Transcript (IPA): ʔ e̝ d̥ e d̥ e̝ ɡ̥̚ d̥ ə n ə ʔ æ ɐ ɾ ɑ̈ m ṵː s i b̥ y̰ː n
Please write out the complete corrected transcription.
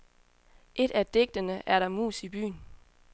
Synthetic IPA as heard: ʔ e̝ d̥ æ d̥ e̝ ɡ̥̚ d̥ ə n ə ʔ æ ɐ ɾ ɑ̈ m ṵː s i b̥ y̰ː n